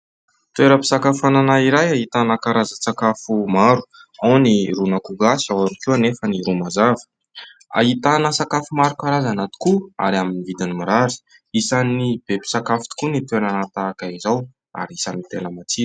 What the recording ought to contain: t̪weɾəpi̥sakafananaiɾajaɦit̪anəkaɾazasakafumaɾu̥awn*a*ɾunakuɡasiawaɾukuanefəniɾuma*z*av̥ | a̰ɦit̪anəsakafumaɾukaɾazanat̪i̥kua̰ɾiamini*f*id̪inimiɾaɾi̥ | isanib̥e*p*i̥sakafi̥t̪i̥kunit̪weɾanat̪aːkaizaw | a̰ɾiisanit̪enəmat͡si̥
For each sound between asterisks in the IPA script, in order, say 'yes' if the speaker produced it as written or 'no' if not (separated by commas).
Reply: no, yes, no, yes